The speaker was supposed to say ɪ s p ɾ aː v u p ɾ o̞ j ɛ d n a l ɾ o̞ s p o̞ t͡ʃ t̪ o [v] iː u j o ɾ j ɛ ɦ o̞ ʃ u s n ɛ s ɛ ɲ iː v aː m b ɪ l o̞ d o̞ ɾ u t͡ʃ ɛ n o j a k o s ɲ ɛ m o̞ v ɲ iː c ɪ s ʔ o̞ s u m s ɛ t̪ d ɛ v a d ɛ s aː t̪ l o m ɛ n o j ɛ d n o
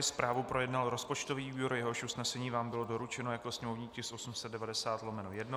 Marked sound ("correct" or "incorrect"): correct